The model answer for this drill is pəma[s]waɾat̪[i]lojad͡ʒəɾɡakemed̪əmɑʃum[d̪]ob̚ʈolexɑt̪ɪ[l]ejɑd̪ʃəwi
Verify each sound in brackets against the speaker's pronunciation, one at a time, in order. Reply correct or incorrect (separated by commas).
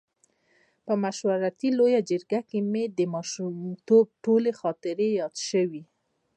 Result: incorrect, correct, incorrect, incorrect